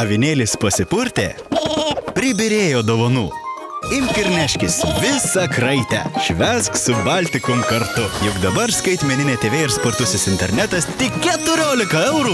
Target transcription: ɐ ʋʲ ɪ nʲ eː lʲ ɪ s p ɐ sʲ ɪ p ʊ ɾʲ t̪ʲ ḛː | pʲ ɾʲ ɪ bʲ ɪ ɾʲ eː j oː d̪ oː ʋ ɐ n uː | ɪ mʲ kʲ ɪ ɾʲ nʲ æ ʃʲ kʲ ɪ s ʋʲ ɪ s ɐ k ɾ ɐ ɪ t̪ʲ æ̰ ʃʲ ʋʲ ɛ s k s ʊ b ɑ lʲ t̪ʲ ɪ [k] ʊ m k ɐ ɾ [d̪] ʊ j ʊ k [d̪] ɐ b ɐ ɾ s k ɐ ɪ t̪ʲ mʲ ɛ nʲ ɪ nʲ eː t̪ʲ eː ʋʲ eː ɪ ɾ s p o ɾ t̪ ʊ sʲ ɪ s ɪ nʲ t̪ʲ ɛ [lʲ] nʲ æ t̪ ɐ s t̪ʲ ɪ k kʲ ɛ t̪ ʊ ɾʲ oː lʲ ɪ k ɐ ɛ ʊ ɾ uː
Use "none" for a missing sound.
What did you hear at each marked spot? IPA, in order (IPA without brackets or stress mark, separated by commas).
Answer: k, t̪, d̪, ɾʲ